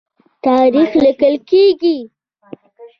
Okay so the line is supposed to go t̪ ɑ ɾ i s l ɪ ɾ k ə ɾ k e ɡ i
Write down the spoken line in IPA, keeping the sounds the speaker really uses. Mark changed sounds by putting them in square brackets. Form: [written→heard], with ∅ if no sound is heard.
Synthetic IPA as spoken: t̪ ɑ ɾ i [s→x] l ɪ [ɾ→∅] k ə [ɾ→l] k e ɡ i